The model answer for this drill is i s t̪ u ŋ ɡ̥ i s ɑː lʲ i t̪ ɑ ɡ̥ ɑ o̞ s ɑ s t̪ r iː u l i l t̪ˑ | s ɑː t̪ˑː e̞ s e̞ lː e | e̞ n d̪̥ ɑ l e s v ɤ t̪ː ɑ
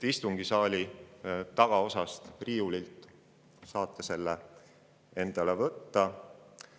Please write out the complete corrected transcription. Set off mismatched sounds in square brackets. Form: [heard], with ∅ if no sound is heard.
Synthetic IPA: i s t̪ u ŋ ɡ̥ i s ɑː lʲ i t̪ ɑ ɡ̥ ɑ o̞ s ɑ s t̪ r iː u l i l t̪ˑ | s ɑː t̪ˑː e̞ s e̞ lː e | e̞ n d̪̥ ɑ l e [∅] v ɤ t̪ː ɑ

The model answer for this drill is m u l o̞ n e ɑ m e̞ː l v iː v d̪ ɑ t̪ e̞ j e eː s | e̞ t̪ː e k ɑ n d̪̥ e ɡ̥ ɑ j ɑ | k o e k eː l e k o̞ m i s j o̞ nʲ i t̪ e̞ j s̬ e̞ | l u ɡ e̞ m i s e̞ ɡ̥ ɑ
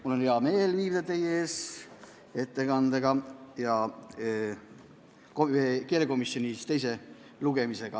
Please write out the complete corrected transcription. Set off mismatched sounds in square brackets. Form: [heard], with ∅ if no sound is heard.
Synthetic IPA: m u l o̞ n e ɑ m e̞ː l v iː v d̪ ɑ t̪ e̞ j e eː s | e̞ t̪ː e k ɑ n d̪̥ e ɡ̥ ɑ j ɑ | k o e k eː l e k o̞ m i s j o̞ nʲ i t̪ e̞ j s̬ e̞ | l u ɡ e̞ m i s e̞ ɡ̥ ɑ

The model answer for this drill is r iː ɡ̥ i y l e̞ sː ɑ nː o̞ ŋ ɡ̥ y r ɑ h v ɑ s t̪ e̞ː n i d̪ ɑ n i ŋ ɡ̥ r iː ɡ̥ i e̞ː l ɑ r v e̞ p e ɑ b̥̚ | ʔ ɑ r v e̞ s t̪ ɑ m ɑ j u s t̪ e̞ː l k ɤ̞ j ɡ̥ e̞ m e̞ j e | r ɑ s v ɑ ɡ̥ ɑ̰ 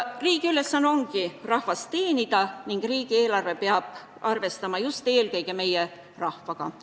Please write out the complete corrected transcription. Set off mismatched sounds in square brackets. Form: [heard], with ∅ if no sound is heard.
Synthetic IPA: r iː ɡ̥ i y l e̞ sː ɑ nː o̞ ŋ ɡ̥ [i] r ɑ h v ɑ s t̪ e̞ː n i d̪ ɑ n i ŋ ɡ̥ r iː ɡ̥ i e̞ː l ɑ r v e̞ p e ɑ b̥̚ | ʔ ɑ r v e̞ s t̪ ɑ m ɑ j u s t̪ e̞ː l k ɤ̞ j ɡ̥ e̞ m e̞ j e | r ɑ [h] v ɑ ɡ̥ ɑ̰

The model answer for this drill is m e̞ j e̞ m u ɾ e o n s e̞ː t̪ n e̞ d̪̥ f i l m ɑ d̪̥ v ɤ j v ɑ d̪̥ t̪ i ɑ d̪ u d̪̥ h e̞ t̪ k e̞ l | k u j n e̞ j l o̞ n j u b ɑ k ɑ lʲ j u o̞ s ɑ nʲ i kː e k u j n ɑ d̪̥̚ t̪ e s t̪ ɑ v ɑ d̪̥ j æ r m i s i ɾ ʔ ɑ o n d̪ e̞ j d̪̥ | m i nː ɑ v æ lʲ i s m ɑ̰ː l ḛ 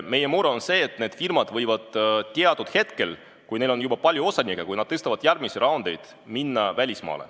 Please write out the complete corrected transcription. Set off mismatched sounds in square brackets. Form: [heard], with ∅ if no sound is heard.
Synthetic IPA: m e̞ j e̞ m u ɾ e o n s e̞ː t̪ n e̞ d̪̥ f i [r] m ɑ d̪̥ v ɤ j v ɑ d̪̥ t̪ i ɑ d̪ u d̪̥ h e̞ t̪ k e̞ l | k u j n e̞ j l o̞ n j u b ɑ [p] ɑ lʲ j u o̞ s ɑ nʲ i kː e k u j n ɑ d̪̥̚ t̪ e s t̪ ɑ v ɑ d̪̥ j æ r m i s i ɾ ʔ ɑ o n d̪ e̞ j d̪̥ | m i nː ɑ v æ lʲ i s m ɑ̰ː l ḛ

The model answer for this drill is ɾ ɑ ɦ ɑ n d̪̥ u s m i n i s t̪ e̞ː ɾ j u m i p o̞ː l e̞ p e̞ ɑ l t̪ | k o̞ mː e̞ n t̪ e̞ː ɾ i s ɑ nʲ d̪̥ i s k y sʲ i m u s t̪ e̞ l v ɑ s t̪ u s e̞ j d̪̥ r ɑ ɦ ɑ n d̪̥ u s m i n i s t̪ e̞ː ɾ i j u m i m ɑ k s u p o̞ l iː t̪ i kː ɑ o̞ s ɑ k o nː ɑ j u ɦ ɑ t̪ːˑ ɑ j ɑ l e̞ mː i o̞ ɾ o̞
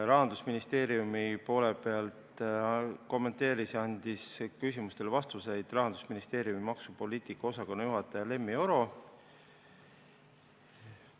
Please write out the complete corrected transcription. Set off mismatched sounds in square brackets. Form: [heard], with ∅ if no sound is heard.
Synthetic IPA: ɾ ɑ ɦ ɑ n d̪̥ u s m i n i s t̪ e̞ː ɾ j u m i p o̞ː l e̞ p e̞ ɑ l t̪ | k o̞ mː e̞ n t̪ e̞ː ɾ i s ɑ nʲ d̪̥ i s k y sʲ i m u s t̪ e̞ l v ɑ s t̪ u s e̞ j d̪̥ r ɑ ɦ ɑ n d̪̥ u s m i n i s t̪ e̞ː ɾ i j u m i m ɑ k s u p o̞ l iː t̪ i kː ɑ o̞ s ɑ k o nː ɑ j u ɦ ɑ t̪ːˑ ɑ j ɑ l e̞ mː i o̞ ɾ o̞

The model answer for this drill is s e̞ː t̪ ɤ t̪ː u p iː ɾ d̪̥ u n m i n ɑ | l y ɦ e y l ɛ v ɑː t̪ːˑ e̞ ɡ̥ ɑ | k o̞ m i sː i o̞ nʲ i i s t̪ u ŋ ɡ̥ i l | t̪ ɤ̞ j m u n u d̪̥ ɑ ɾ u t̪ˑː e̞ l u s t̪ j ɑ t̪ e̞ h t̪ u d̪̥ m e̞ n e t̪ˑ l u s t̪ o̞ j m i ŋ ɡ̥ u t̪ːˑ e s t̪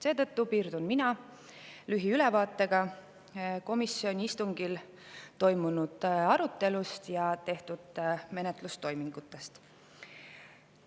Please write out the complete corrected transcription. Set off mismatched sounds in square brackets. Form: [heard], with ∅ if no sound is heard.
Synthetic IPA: s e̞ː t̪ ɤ t̪ː u p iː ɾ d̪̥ u n m i n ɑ | l y ɦ [i] y l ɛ v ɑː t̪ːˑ e̞ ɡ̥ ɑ | k o̞ m i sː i o̞ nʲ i i s t̪ u ŋ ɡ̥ i l | t̪ [o̞] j m u n u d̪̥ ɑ ɾ u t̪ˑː e̞ l u s t̪ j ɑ t̪ e̞ h t̪ u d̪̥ m e̞ n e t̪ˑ l u s t̪ o̞ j m i ŋ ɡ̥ u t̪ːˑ e s t̪

